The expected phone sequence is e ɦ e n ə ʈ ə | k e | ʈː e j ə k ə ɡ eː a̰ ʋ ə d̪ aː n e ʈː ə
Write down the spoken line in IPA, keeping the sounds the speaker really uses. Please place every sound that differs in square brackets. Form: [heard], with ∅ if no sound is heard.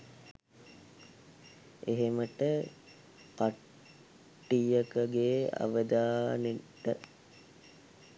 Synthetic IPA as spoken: e ɦ e [m] ə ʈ ə | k [a] | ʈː [i] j ə k ə ɡ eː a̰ ʋ ə d̪ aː n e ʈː ə